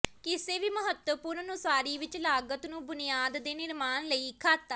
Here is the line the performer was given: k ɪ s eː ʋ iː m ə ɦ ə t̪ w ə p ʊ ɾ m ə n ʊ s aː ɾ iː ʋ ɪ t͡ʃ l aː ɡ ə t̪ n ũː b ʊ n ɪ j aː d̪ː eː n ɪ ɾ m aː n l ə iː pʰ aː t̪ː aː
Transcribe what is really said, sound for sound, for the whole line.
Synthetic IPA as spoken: k ɪ s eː ʋ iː m ə ɦ ə t̪ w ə p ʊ ɾ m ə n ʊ s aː ɾ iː ʋ ɪ t͡ʃ l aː ɡ ə t̪ n ũː b ʊ n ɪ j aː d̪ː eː n ɪ ɾ m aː n l ə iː kʰ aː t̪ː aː